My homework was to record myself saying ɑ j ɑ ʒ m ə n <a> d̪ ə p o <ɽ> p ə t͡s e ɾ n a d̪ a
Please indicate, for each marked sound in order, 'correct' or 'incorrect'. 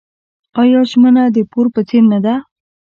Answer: correct, incorrect: ɾ

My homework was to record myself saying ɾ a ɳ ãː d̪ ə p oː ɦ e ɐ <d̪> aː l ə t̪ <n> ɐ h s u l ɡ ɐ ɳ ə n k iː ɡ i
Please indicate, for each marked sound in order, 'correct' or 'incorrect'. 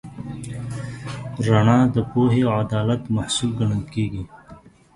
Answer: correct, incorrect: m

